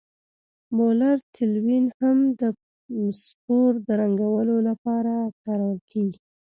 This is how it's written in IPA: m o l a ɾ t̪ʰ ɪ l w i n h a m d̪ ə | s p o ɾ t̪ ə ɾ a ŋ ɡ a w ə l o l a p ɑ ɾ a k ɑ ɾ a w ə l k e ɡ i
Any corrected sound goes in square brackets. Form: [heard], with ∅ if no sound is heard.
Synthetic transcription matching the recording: m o l a ɾ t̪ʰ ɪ l w i n h a m d̪ ə | s p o ɾ [d̪] ə ɾ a ŋ ɡ a w ə l o l a p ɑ ɾ a k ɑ ɾ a w ə l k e ɡ i